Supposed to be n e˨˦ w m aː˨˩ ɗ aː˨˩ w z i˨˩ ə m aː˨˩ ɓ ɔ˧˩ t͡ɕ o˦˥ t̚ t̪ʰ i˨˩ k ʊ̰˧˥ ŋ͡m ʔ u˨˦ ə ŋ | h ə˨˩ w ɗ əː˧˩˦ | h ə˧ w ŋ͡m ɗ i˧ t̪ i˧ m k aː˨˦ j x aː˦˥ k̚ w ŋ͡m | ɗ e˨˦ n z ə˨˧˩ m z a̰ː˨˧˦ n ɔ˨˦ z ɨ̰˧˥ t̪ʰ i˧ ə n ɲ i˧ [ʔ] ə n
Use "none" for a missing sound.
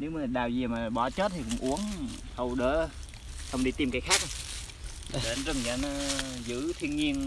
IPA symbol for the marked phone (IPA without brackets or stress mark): none